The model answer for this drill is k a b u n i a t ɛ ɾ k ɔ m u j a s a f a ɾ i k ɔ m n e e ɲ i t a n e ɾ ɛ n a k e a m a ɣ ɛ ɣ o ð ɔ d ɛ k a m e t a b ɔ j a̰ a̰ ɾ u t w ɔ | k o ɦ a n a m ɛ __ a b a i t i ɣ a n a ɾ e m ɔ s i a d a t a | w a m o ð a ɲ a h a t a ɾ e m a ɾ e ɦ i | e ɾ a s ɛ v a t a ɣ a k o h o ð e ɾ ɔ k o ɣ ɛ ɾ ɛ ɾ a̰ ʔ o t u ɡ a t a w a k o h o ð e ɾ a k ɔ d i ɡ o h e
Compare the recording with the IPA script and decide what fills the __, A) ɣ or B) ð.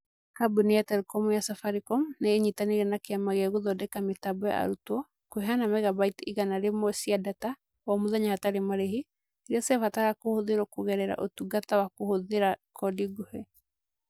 A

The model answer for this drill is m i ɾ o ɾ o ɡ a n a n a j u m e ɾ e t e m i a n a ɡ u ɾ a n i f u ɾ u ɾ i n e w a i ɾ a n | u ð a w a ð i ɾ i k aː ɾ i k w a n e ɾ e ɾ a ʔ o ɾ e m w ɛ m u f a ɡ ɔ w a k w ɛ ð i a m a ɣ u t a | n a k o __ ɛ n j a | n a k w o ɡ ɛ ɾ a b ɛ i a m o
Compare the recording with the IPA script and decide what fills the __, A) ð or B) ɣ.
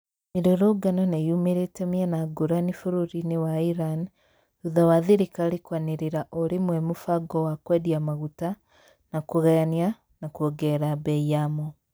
B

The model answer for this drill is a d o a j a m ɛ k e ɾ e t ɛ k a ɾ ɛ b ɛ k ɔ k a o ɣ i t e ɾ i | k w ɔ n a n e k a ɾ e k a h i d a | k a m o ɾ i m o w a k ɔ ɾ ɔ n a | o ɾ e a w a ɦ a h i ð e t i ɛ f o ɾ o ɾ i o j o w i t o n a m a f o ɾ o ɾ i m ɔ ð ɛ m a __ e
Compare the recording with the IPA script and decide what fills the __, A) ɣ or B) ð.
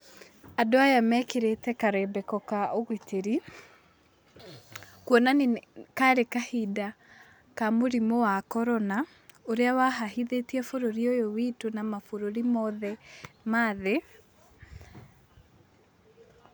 B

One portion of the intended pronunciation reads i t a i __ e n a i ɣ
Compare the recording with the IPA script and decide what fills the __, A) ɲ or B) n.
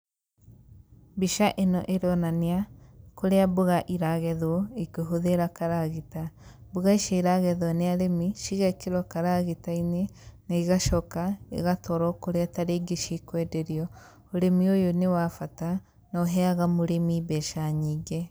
B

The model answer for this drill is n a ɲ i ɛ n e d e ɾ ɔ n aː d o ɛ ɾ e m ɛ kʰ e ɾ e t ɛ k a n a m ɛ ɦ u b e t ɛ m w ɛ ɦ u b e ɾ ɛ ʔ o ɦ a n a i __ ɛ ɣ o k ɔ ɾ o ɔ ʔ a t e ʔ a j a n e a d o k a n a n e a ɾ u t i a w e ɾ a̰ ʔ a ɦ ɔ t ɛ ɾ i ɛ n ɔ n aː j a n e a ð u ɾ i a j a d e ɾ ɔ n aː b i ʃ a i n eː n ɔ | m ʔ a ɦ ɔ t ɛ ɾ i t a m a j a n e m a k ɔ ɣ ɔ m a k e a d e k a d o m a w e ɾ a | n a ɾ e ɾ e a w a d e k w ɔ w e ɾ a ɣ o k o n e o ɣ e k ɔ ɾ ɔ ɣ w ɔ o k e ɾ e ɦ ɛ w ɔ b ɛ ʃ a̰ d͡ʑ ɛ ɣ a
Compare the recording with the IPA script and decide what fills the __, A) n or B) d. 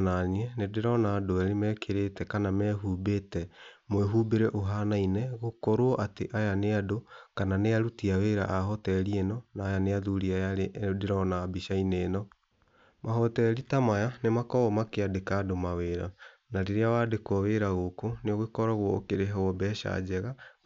A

